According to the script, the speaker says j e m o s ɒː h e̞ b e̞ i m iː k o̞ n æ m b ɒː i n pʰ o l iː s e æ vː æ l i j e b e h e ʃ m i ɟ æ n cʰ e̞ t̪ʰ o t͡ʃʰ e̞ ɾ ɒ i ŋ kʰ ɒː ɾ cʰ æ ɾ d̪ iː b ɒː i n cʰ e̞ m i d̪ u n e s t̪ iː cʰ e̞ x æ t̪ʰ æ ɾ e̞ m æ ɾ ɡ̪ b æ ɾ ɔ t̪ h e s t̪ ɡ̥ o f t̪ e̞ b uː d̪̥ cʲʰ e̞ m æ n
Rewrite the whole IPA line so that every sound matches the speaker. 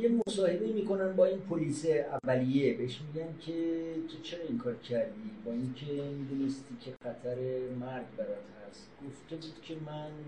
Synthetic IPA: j e m o s ɒː h e̞ b e̞ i m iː k o̞ n æ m b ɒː i n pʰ o l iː s e æ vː æ l i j e b e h e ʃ m i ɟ æ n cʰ e̞ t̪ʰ o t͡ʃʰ e̞ ɾ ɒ i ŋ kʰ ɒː ɾ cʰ æ ɾ d̪ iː b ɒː i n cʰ e̞ m i d̪ u n e s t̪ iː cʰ e̞ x æ t̪ʰ æ ɾ e̞ m æ ɾ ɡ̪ b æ ɾ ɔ t̪ h æ s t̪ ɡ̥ o f t̪ e̞ b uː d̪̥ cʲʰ e̞ m æ n